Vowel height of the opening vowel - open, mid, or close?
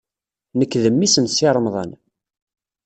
mid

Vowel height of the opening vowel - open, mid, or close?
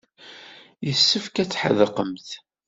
mid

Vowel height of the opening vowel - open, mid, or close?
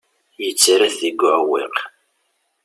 mid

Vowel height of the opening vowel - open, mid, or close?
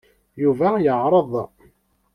close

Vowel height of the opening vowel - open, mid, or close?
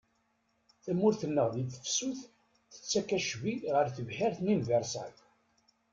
open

